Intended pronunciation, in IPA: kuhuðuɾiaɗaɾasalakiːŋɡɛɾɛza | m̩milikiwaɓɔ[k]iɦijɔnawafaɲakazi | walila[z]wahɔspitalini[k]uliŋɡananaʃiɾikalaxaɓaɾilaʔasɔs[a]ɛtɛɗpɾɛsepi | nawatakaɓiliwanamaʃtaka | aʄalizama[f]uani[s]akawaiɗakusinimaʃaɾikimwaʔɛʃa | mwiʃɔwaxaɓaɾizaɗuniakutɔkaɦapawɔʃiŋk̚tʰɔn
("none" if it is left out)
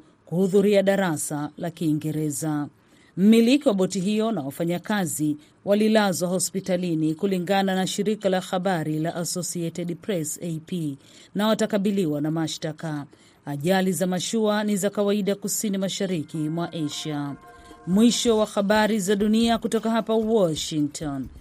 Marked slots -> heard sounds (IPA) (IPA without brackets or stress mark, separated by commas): t, z, k, i, ʃ, z